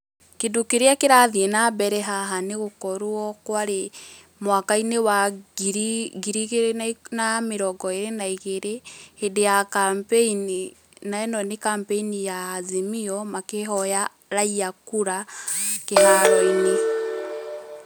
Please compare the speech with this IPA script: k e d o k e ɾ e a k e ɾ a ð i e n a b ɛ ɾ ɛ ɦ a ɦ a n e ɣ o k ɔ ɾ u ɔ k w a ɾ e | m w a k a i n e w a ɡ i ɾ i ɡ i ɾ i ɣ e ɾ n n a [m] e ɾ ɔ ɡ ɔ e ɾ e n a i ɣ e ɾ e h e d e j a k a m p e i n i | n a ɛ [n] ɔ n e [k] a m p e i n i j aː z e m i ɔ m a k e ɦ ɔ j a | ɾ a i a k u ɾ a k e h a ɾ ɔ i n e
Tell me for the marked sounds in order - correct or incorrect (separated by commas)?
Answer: correct, correct, correct